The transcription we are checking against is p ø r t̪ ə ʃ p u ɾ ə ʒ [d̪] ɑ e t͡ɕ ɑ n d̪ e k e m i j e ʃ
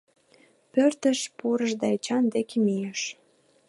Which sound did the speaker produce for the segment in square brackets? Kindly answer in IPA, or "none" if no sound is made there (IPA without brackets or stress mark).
d̪